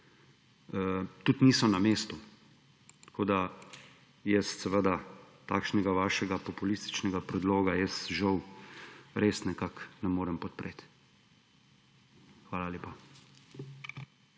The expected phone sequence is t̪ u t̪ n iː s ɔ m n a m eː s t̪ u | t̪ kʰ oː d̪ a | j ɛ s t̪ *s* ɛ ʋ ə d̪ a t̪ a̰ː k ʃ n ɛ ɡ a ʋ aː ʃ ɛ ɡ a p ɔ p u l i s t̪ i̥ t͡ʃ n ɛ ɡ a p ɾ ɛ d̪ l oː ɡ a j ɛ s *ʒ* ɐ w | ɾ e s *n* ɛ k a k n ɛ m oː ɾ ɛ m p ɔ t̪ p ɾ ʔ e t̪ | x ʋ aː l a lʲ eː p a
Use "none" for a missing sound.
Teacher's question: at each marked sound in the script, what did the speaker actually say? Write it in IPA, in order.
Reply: s, ʒ, n

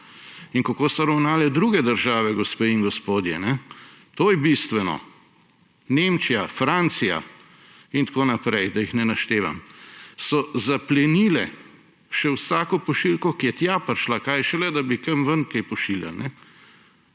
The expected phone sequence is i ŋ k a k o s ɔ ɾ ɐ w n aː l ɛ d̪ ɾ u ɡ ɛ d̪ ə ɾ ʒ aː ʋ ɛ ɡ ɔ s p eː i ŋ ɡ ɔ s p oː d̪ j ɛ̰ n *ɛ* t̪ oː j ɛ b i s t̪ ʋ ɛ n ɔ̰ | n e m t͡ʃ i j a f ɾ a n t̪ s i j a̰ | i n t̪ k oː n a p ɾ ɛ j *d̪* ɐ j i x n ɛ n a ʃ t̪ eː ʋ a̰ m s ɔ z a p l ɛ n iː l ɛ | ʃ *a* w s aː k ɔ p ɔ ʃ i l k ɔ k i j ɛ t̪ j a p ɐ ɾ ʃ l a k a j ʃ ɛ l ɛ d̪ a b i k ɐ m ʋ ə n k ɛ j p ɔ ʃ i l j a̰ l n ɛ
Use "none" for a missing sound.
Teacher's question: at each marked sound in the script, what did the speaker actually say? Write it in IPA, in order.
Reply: ɛ, d̪, ɛ

